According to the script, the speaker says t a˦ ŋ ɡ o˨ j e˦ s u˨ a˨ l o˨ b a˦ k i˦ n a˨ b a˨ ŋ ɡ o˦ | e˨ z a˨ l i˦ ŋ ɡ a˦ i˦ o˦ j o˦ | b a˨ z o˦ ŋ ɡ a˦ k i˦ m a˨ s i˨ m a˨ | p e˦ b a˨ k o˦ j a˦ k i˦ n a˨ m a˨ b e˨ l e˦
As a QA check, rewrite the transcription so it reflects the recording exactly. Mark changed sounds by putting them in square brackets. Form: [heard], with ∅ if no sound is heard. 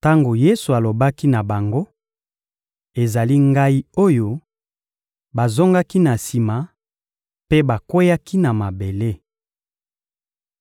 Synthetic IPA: t a˦ ŋ ɡ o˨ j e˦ s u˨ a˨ l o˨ b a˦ k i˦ n a˨ b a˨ ŋ ɡ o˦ | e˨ z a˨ l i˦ ŋ ɡ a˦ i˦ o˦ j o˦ | b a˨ z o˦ ŋ ɡ a˦ k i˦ [n] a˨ s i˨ m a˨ | p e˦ b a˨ k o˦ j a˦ k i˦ n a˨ m a˨ b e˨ l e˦